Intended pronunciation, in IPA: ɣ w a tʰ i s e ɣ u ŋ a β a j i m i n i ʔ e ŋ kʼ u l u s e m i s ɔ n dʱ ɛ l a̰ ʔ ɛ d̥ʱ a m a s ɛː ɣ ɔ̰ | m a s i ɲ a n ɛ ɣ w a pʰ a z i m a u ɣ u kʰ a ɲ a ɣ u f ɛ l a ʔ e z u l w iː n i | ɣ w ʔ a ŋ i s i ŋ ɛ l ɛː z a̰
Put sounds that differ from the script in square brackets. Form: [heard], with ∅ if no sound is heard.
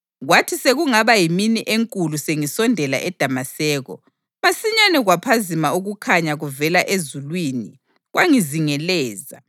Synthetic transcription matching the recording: ɣ w a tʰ i s e ɣ u ŋ a β a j i m i n i ʔ e ŋ kʼ u l u s e [ŋ] i s ɔ n dʱ ɛ l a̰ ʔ ɛ d̥ʱ a m a s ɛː ɣ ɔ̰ | m a s i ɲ a n ɛ ɣ w a pʰ a z i m a u ɣ u kʰ a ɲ a ɣ u [v] ɛ l a ʔ e z u l w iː n i | ɣ w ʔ a ŋ i [z] i ŋ ɛ l ɛː z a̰